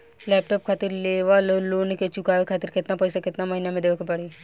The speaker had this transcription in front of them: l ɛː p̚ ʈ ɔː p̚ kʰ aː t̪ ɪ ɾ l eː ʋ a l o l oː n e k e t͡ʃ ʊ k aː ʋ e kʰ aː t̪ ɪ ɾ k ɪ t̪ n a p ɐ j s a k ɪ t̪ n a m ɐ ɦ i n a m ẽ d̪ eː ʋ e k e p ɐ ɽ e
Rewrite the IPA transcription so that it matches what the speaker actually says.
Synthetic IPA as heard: l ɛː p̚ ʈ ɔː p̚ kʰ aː t̪ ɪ ɾ l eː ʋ a l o l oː n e k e t͡ʃ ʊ k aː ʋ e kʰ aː t̪ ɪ ɾ k ɪ t̪ n a p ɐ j s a k ɪ t̪ n a m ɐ ɦ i n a m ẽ d̪ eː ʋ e k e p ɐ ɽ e